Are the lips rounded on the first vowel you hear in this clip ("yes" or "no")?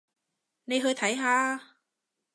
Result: no